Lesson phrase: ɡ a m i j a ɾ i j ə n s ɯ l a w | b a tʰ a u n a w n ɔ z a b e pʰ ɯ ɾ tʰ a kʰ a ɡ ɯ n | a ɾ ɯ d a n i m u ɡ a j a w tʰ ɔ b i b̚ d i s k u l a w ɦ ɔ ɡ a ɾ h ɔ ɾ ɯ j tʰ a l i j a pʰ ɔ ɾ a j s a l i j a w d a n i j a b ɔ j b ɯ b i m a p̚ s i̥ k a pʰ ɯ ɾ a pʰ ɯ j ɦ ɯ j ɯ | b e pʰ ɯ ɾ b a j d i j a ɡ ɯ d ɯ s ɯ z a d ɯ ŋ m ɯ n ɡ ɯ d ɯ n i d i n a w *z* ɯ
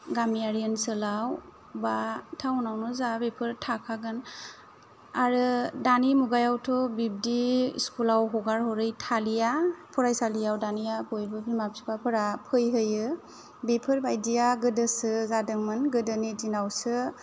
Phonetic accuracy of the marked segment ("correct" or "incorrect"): incorrect